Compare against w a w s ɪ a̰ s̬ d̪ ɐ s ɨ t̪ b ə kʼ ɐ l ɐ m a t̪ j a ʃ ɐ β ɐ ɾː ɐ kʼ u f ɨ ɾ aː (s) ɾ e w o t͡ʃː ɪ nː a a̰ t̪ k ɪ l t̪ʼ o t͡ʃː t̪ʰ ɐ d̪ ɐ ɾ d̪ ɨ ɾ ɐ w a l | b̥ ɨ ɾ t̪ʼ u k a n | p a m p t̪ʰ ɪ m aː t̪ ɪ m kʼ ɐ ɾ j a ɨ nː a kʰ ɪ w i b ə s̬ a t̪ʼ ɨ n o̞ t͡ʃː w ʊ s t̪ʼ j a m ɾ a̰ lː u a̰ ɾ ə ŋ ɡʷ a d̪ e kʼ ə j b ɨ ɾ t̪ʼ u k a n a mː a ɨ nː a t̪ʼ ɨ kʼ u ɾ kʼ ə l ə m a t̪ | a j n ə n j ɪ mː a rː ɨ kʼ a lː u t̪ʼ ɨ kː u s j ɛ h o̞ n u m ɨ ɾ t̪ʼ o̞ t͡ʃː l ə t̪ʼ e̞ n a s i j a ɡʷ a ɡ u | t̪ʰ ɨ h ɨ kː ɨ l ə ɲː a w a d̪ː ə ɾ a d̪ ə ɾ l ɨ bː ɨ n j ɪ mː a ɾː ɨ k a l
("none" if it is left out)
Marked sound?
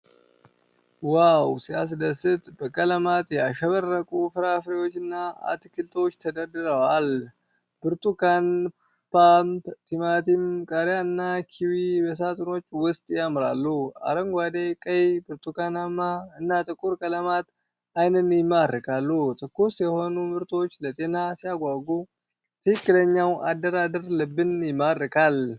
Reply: f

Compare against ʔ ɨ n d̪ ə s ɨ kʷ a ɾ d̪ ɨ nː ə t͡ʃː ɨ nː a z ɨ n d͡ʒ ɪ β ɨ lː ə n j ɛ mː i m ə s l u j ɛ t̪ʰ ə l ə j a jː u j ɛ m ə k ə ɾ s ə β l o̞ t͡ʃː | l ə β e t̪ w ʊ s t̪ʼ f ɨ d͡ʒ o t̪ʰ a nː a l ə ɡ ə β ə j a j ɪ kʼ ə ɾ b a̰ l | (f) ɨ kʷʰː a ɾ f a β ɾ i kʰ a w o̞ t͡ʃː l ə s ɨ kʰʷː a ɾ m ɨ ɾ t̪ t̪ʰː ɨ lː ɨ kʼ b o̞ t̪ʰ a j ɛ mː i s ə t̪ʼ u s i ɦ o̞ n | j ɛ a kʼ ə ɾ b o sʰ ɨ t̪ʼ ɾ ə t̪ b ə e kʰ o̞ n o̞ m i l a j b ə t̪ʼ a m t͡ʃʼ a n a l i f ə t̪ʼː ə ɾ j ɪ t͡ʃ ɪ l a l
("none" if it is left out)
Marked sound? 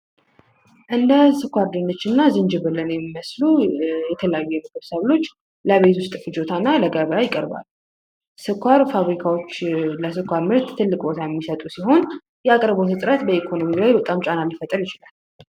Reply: s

